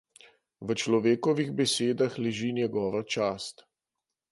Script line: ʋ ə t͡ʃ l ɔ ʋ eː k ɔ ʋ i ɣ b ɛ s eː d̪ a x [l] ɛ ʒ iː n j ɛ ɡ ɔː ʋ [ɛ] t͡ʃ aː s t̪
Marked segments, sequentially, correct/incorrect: correct, incorrect

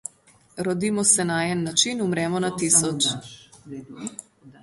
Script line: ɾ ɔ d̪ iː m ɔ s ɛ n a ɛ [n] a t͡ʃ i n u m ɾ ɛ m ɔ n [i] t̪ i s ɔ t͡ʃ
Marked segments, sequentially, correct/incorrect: incorrect, incorrect

